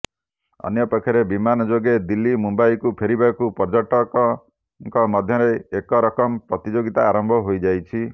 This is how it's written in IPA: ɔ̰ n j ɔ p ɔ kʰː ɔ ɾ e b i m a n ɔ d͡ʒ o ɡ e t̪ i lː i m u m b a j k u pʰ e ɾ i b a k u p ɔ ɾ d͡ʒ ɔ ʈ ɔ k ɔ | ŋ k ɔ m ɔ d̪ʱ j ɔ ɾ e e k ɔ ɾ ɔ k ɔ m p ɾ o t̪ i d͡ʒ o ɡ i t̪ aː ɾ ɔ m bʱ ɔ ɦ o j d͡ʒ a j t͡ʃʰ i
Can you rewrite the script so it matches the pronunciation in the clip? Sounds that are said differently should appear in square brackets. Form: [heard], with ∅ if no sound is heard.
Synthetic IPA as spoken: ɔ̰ n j ɔ p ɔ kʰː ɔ ɾ e b i m a n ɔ d͡ʒ o ɡ e [d̪] i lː i m u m b a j k u pʰ e ɾ i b a k u p ɔ ɾ d͡ʒ ɔ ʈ ɔ k ɔ | ŋ k ɔ m ɔ d̪ʱ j ɔ ɾ e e k ɔ ɾ ɔ k ɔ m p ɾ [ɔ] t̪ i d͡ʒ o ɡ i t̪ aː ɾ ɔ m bʱ ɔ ɦ o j d͡ʒ a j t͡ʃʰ i